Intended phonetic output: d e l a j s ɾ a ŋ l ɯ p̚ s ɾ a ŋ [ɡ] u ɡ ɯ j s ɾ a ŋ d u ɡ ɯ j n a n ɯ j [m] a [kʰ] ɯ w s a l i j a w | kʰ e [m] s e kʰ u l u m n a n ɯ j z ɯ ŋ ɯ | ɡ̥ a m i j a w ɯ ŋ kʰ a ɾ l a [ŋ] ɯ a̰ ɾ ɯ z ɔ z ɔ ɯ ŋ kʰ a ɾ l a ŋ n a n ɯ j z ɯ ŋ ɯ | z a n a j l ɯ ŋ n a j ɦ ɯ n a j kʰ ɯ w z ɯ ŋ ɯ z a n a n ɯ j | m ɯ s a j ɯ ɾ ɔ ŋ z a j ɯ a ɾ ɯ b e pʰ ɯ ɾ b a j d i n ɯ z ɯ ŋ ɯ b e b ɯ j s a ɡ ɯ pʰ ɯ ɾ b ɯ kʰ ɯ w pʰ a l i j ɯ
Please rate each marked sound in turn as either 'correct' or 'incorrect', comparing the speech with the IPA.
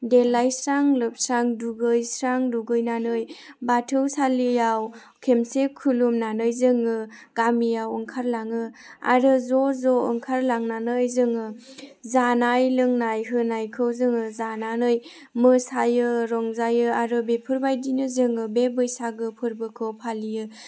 incorrect, incorrect, incorrect, correct, correct

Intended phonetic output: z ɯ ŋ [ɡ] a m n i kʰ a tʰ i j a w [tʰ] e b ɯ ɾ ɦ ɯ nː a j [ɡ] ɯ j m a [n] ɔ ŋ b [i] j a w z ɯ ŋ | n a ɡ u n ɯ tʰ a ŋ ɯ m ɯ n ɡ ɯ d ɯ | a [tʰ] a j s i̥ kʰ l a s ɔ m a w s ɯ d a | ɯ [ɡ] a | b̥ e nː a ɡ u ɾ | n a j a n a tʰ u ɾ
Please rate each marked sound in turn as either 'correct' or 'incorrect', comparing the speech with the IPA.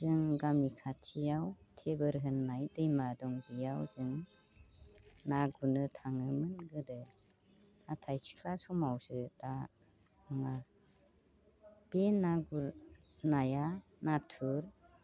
correct, correct, incorrect, incorrect, correct, correct, incorrect

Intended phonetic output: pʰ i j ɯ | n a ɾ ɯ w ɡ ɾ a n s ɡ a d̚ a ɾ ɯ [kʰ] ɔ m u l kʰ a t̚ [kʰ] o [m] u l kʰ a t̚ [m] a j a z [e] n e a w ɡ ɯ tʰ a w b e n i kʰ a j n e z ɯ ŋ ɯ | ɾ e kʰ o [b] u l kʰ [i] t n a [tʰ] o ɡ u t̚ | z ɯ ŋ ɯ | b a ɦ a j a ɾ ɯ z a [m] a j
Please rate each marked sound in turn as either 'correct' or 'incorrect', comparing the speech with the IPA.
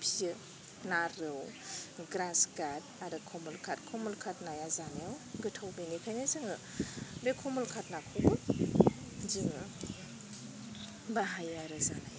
correct, correct, correct, incorrect, incorrect, incorrect, incorrect, incorrect, incorrect

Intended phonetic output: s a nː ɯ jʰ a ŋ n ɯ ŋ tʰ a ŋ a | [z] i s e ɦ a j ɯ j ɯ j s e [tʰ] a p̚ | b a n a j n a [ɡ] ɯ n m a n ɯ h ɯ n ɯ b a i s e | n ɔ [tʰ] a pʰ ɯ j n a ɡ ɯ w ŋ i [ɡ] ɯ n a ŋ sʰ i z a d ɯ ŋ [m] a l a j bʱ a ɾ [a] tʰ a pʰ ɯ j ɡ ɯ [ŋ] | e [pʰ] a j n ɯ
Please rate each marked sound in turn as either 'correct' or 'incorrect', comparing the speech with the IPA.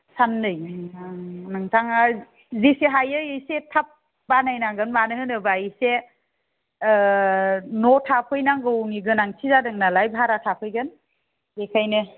correct, correct, correct, correct, correct, incorrect, correct, incorrect, incorrect

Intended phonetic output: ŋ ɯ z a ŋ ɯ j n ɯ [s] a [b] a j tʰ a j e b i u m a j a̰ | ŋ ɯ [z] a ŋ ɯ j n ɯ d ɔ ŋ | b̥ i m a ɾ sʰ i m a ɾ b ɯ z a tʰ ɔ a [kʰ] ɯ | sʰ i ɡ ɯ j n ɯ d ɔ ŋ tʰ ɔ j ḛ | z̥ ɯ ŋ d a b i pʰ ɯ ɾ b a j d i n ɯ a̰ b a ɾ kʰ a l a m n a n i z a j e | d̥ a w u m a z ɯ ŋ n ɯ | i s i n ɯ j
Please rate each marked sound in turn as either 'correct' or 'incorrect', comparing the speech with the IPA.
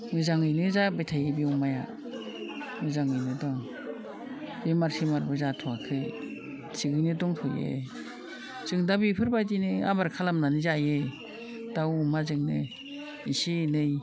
incorrect, correct, correct, correct

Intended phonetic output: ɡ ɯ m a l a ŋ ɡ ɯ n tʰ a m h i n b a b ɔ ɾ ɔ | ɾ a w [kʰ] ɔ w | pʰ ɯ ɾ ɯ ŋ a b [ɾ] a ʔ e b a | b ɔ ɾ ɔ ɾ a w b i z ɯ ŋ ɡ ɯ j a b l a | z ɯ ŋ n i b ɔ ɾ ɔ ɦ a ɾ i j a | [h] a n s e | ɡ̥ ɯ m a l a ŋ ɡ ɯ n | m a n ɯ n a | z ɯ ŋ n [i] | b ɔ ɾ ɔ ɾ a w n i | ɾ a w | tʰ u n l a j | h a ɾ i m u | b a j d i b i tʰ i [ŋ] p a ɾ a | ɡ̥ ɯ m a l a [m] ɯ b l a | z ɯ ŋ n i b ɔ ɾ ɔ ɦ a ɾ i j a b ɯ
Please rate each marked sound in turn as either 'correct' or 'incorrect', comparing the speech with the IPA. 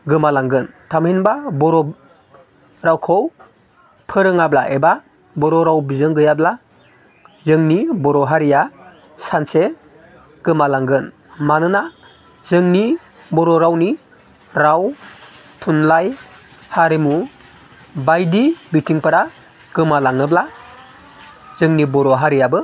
correct, incorrect, incorrect, correct, correct, incorrect

